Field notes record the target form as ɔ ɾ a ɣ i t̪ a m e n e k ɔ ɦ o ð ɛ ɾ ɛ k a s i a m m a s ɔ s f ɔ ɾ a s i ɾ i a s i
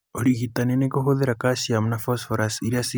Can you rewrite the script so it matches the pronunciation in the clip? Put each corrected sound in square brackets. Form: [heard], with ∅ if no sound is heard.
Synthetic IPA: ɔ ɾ [i] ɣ i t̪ a [n] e n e k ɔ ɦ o ð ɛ ɾ [a] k a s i a m [n] a [f] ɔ s f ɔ ɾ a s i ɾ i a s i